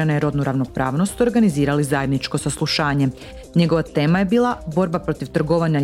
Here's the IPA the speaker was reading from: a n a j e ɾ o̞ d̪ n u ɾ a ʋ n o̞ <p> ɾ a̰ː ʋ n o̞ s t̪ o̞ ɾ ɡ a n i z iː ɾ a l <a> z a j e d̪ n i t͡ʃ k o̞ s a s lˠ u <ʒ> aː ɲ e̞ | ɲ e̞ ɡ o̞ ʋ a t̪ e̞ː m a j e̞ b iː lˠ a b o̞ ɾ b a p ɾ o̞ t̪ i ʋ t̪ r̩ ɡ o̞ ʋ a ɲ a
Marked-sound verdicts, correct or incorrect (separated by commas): correct, incorrect, incorrect